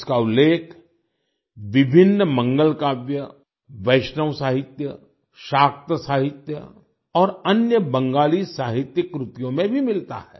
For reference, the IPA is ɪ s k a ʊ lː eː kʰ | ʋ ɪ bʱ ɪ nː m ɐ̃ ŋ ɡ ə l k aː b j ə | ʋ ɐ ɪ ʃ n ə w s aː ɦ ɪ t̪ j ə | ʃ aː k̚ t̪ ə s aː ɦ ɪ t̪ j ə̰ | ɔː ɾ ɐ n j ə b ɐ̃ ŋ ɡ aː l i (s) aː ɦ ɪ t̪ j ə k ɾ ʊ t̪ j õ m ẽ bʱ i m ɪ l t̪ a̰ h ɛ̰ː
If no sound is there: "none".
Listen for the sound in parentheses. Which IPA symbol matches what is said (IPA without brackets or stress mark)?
s